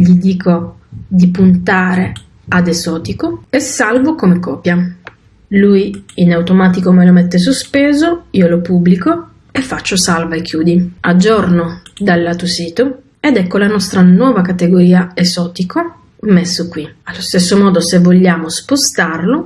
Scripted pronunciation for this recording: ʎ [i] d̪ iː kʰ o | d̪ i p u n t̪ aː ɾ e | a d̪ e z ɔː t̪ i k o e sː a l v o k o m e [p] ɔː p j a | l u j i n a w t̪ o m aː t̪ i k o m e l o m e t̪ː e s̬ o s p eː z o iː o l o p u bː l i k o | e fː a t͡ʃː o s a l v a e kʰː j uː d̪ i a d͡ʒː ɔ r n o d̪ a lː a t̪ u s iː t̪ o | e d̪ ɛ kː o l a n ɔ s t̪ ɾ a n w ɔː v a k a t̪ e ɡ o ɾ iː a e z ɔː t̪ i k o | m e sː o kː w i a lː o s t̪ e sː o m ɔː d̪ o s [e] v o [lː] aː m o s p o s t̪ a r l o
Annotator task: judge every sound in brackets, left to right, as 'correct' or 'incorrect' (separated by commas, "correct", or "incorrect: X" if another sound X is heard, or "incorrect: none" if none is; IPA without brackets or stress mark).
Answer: correct, incorrect: k, correct, incorrect: ʎː